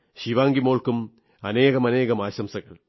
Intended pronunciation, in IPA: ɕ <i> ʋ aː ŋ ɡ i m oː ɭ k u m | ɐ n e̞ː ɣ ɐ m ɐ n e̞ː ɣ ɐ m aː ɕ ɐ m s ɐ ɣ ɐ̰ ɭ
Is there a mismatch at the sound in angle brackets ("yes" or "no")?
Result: no